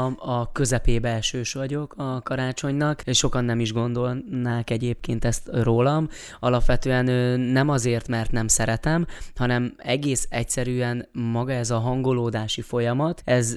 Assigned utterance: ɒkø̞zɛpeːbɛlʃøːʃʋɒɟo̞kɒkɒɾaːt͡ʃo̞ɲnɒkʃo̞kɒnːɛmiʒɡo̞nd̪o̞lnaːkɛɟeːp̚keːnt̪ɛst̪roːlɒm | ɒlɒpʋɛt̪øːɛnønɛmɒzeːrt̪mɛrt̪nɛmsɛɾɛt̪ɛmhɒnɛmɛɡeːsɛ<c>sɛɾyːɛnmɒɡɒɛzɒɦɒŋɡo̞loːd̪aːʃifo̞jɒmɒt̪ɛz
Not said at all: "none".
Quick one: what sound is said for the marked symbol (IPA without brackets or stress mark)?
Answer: c